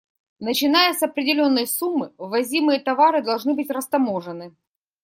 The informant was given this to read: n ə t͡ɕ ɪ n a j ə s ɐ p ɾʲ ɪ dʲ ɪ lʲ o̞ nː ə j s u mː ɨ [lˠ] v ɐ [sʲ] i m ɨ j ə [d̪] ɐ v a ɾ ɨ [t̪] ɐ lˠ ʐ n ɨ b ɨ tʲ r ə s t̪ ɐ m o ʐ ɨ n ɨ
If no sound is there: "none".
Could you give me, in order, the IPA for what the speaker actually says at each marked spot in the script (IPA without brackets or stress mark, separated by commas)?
none, zʲ, t̪, d̪